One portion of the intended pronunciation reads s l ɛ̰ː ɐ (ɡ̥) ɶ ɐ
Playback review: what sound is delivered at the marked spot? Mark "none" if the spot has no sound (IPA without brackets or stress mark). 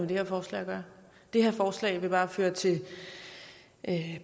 ɡ̥